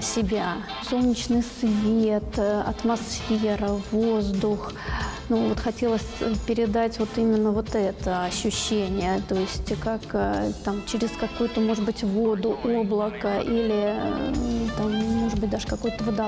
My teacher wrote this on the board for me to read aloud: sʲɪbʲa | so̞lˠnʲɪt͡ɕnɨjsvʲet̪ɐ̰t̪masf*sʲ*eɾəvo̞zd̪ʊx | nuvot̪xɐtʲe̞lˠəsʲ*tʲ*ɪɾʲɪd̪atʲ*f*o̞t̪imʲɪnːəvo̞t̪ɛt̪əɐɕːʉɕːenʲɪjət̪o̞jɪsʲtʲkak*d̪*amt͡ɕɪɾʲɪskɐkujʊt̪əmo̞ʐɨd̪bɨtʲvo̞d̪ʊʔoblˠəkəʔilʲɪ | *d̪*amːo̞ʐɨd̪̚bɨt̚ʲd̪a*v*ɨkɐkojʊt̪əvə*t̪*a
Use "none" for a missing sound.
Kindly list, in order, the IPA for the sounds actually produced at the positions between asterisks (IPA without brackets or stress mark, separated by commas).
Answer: fʲ, pʲ, v, t̪, t̪, ʐ, d̪